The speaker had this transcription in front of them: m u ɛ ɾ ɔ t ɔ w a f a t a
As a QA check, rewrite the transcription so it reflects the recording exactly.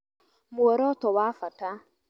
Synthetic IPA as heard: m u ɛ ɾ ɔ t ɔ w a f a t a